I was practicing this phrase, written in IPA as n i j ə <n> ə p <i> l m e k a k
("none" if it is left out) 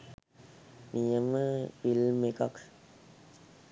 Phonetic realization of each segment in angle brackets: m, i

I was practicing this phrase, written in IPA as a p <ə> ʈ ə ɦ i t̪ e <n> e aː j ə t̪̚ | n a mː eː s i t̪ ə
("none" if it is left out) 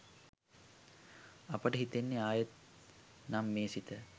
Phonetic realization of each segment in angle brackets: ə, nː

